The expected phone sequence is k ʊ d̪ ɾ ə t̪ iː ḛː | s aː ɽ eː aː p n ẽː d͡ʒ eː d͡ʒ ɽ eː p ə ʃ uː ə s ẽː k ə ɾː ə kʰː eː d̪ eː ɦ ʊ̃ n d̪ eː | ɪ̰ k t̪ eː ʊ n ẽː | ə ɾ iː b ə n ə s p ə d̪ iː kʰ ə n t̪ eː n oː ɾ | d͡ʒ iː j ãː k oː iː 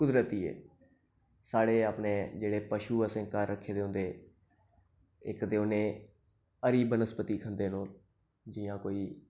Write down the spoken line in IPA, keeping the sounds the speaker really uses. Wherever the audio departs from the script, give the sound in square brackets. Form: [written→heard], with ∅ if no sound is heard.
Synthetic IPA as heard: k ʊ d̪ ɾ ə t̪ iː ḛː | s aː ɽ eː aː p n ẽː d͡ʒ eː [d͡ʒ→∅] ɽ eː p ə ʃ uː ə s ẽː k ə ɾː ə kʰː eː d̪ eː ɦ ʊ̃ n d̪ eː | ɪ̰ k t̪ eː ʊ n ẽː | ə ɾ iː b ə n ə s p ə [d̪→t̪] iː kʰ ə n [t̪→d̪] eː n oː [ɾ→l] | d͡ʒ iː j ãː k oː iː